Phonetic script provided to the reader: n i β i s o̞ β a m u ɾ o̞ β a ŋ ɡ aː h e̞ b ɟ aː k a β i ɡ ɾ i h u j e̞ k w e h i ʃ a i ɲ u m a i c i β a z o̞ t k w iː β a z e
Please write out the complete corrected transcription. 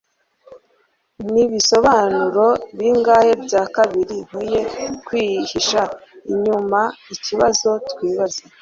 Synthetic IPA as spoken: n i β i s o̞ β a n u ɾ o̞ β i ŋ ɡ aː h e̞ b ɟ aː k a β i ɾ i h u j e̞ k w i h i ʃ a i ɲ u m a i c i β a z o̞ t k w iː β a z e